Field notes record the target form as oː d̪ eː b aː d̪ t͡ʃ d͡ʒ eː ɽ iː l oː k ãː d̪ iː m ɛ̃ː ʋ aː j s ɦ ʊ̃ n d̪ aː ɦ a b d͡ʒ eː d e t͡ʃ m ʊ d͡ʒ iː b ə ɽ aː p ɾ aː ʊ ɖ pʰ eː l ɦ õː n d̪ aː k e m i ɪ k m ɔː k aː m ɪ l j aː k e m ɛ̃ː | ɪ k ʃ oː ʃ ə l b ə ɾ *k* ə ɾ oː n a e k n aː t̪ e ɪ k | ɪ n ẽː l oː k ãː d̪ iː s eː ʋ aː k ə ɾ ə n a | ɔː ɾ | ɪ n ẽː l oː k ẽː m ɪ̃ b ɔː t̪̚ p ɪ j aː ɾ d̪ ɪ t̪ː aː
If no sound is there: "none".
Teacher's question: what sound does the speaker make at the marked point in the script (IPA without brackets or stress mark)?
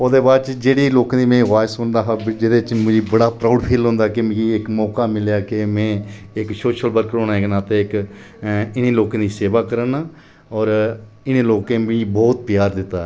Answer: k